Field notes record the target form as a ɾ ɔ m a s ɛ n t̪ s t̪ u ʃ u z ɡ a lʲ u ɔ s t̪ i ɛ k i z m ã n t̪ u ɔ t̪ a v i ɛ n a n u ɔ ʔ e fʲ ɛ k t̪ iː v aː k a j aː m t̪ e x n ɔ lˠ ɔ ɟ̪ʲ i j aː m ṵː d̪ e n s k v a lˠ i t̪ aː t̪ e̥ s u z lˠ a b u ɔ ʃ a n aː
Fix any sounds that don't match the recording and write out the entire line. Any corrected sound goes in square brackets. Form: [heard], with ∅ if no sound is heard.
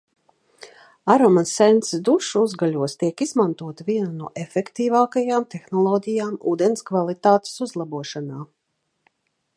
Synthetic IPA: a ɾ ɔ m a s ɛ n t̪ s [d̪] u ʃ u z ɡ a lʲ u ɔ s t̪ i ɛ k i z m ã n t̪ u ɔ t̪ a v i ɛ n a n u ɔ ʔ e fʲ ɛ k t̪ iː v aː k a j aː m t̪ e x n ɔ lˠ ɔ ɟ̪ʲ i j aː m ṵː d̪ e n s k v a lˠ i t̪ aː t̪ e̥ s u z lˠ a b u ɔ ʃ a n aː